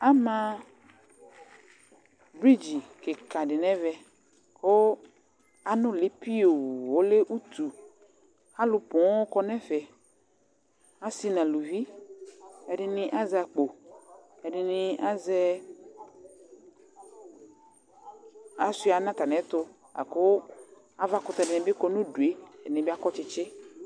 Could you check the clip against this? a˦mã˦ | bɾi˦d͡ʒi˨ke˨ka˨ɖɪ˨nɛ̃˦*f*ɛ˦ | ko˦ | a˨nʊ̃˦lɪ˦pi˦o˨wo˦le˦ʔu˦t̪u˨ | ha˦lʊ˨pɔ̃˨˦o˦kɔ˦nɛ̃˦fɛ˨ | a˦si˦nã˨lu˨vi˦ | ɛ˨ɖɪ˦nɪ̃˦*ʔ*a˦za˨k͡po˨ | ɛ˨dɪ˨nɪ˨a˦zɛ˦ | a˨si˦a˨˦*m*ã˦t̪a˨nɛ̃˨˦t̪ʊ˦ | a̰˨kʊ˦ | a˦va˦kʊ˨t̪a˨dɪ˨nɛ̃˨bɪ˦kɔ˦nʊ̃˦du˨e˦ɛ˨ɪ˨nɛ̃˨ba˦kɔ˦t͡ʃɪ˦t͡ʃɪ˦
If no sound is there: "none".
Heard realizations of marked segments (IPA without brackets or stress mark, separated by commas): v, ʔ, n